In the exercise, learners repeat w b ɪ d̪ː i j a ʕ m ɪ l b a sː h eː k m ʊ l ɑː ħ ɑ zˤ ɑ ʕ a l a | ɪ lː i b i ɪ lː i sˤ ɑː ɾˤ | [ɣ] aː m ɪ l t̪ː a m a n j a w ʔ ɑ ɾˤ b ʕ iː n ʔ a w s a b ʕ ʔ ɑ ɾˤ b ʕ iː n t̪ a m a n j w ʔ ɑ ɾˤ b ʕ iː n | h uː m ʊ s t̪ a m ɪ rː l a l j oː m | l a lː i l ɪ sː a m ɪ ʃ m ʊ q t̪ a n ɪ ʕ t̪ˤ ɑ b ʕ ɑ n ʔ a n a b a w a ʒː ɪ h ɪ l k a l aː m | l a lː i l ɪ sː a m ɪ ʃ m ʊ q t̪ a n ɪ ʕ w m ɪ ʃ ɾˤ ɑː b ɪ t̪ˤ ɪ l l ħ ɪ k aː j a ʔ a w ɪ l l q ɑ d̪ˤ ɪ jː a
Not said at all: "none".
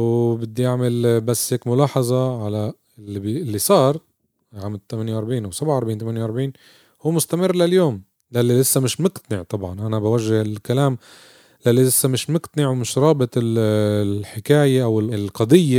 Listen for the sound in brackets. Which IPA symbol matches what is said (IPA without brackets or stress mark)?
ʕ